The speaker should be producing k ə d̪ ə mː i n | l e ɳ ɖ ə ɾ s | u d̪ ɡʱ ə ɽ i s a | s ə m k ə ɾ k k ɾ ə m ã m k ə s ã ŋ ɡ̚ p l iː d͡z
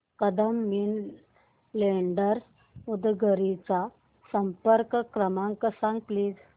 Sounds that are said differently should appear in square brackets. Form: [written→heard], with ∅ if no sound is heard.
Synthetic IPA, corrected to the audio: k ə d̪ ə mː i n | l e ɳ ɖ ə ɾ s | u d̪ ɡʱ ə [ɽ→ɾ] i [s→t͡s] a | s ə m [k→p] ə ɾ k k ɾ ə m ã [m→ŋ] k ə s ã ŋ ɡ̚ p l iː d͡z

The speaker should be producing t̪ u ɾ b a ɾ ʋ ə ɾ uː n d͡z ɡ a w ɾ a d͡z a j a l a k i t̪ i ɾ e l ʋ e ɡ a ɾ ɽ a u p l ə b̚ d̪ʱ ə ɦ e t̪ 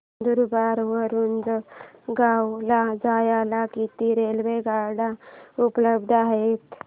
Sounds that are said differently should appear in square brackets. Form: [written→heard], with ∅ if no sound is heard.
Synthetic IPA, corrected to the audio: [t̪→d̪] u ɾ b a ɾ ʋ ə ɾ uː n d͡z ɡ a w [ɾ→l] a d͡z a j a l a k i t̪ i ɾ e l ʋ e ɡ a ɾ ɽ a u p l ə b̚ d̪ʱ [ə→a] ɦ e t̪

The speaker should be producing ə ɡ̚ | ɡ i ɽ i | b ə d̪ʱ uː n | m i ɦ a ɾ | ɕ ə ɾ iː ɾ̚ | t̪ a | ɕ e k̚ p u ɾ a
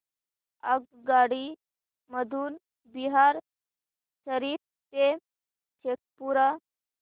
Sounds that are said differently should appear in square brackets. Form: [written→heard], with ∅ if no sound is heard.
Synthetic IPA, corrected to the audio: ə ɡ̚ | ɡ [i→a] ɽ i | [b→m] ə d̪ʱ uː n | [m→b] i ɦ a ɾ | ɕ ə ɾ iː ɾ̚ | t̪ [a→e] | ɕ e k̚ p u ɾ a

